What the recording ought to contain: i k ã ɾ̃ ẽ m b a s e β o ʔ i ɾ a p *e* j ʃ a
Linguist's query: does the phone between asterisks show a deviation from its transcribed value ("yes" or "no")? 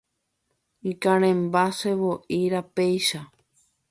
no